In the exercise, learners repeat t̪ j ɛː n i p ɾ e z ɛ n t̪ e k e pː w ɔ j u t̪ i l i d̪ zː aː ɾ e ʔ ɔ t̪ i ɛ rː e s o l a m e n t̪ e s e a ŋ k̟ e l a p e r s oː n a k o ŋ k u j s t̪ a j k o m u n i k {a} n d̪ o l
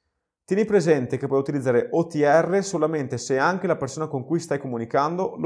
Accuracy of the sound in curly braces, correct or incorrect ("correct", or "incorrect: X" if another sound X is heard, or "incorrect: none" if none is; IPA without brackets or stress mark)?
correct